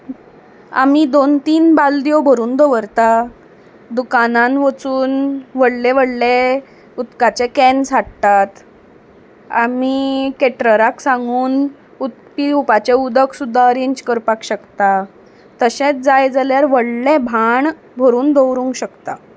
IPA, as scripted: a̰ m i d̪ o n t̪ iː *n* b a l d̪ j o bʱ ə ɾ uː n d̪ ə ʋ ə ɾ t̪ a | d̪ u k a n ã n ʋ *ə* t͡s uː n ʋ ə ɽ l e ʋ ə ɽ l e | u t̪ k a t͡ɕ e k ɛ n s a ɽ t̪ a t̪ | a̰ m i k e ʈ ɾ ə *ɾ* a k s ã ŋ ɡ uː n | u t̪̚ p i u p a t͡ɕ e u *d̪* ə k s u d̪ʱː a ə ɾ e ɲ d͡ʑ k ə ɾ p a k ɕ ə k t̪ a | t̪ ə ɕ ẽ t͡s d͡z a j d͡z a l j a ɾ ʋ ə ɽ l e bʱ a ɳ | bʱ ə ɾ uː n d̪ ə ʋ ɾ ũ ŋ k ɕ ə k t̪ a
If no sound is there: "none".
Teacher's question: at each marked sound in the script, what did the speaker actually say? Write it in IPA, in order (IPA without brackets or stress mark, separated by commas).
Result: n, ə, ɾ, d̪